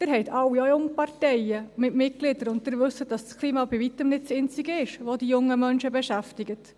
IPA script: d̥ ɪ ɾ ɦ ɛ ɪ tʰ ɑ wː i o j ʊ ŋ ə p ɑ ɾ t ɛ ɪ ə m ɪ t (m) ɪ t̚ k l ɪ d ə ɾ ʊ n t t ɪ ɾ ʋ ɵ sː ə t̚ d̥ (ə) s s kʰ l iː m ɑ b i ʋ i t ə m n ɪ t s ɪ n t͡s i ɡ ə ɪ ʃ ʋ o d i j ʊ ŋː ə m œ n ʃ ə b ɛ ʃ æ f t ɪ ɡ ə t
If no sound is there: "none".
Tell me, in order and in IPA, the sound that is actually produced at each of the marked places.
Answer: m, ɑ

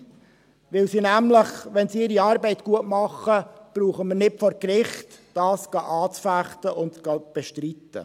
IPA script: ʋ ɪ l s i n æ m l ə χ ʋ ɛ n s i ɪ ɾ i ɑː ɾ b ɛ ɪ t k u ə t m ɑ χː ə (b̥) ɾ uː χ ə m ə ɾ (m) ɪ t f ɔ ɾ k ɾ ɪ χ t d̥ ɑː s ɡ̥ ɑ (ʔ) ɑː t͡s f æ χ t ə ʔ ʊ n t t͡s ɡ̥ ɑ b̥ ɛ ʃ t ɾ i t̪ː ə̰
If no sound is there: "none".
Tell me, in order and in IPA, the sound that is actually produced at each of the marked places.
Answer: b̥, n, ʔ

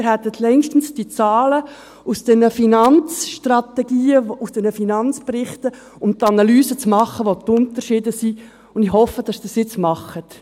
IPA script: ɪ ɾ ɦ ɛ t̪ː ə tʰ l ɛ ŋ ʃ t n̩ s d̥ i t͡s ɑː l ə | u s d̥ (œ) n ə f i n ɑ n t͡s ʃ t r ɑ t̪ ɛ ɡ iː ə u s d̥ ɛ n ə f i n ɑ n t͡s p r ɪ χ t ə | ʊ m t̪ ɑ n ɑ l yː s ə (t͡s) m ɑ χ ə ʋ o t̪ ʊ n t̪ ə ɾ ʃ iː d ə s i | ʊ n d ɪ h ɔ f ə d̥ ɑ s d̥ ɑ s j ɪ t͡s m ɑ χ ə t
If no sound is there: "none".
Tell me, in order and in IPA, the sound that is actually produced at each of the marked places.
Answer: ɛ, t͡s

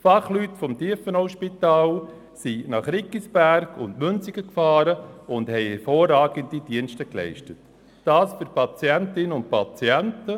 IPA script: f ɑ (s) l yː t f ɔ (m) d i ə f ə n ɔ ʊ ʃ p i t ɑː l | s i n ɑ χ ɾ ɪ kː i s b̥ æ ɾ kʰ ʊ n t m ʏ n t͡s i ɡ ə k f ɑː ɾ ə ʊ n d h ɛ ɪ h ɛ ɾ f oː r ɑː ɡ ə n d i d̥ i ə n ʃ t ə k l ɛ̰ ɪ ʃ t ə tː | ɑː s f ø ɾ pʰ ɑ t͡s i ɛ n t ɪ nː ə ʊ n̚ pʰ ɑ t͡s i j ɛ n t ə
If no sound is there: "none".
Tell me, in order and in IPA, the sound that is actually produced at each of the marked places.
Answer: χ, m

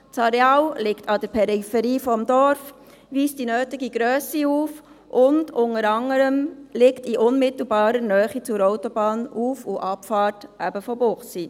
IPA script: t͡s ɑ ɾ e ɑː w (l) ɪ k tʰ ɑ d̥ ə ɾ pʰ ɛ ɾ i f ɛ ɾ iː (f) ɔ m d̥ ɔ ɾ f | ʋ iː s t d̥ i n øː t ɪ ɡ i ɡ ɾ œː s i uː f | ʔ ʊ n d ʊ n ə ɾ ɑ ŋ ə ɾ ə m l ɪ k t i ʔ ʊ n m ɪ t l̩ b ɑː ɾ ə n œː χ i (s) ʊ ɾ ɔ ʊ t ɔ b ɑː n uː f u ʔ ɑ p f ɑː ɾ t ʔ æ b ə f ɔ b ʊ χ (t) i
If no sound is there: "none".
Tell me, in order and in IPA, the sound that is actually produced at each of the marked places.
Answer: l, f, t͡s, s

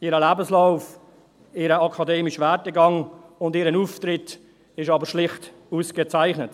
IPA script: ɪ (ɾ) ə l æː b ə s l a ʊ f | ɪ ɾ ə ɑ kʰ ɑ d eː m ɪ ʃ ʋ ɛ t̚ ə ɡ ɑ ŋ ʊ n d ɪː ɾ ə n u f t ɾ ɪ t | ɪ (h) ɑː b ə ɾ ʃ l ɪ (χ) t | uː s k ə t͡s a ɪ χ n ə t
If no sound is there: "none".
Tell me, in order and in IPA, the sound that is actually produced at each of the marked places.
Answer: ɾ, ʃ, χ

